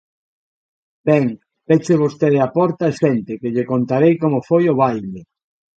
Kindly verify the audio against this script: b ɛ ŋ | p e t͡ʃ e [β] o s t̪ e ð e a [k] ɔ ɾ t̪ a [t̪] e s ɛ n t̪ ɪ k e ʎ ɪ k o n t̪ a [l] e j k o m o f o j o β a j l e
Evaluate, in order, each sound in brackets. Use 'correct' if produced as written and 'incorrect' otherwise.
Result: correct, incorrect, incorrect, incorrect

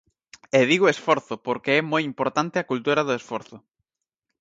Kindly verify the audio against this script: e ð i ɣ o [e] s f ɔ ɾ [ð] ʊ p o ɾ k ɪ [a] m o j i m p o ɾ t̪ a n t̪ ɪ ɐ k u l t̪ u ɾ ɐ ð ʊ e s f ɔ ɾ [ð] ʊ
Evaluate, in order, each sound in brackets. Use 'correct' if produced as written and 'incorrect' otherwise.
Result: correct, incorrect, incorrect, incorrect

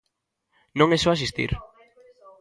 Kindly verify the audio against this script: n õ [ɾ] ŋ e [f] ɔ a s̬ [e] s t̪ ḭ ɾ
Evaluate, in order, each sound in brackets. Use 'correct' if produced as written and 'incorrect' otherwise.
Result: incorrect, incorrect, incorrect

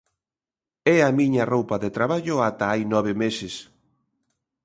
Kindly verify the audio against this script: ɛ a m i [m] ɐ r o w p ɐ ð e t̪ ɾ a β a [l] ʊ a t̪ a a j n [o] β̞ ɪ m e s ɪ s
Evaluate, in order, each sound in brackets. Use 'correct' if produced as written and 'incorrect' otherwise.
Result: incorrect, incorrect, incorrect

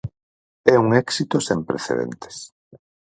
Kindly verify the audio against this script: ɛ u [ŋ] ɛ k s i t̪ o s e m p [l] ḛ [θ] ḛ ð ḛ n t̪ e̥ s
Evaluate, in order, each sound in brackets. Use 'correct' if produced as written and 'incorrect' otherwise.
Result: correct, incorrect, correct

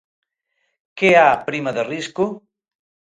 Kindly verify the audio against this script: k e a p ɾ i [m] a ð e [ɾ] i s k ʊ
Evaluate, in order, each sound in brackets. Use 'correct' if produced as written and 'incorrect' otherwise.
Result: correct, incorrect

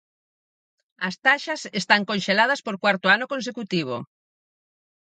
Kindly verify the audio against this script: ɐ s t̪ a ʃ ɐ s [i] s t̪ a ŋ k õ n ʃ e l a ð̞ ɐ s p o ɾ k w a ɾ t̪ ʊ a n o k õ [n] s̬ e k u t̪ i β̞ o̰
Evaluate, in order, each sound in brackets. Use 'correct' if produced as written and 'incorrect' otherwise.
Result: incorrect, correct

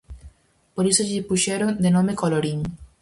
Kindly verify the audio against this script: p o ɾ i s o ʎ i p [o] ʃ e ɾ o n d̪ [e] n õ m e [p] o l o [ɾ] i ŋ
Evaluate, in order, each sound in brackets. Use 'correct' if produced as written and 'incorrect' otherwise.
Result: incorrect, correct, incorrect, correct

